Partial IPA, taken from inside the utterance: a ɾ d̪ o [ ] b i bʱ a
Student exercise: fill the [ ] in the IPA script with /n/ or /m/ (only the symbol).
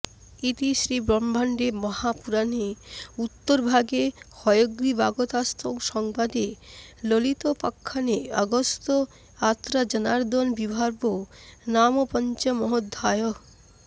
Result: n